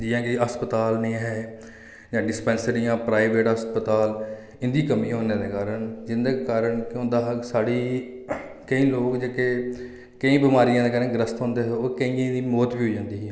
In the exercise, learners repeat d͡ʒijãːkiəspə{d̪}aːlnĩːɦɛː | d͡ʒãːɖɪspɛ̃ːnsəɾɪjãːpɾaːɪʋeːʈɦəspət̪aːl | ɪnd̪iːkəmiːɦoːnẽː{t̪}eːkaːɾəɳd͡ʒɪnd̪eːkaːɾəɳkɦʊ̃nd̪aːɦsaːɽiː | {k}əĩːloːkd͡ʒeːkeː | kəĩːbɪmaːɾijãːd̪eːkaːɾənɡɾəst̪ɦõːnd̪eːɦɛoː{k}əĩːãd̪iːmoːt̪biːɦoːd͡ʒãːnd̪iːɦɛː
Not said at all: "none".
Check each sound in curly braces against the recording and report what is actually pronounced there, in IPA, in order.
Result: t̪, d̪, k, k

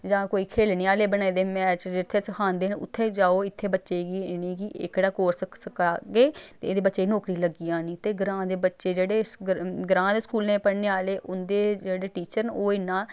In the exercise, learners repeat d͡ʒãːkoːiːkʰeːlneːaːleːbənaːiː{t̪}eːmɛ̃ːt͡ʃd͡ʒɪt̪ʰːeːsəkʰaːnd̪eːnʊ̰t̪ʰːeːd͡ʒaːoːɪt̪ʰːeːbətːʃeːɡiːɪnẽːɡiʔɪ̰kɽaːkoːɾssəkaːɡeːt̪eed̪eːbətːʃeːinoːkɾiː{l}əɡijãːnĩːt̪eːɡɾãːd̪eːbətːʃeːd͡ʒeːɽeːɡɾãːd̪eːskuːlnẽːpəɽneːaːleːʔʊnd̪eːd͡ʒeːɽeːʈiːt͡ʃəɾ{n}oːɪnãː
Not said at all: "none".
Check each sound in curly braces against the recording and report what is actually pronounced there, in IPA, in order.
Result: d̪, l, n

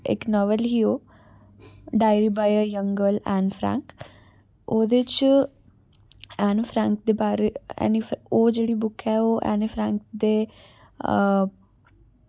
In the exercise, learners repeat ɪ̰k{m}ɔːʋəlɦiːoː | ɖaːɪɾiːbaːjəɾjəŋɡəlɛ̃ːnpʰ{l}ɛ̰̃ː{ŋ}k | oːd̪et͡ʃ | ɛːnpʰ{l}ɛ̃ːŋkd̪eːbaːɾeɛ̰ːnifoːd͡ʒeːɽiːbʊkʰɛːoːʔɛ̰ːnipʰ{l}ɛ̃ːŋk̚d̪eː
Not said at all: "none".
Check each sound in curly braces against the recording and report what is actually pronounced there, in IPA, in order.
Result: n, ɾ, ŋ, ɾ, ɾ

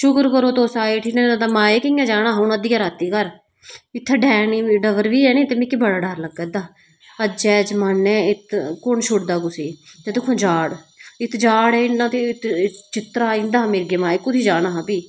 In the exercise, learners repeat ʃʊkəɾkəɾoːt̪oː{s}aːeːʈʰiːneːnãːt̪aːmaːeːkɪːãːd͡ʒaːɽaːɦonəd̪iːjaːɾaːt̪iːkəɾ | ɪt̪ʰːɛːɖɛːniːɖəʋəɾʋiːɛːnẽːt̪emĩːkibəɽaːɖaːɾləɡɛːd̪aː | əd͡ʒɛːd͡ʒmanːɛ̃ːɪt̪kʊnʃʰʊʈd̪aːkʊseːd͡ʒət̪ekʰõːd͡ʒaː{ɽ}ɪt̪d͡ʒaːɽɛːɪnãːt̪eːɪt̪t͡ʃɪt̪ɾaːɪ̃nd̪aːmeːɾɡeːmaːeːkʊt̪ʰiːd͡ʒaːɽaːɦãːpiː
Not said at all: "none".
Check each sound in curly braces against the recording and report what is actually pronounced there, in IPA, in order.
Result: s, ɽ

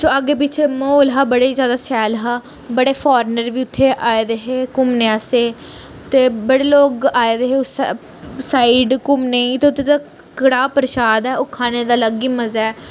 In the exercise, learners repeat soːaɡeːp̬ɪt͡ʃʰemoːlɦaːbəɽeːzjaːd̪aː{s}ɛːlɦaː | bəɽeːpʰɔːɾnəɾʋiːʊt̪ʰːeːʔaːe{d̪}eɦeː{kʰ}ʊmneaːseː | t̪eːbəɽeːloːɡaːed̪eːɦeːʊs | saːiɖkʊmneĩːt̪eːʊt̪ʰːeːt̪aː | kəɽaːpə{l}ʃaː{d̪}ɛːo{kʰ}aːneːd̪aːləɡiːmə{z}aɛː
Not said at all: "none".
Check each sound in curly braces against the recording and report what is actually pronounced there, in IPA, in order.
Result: s, d̪, k, ɾ, d̪, kʰ, z

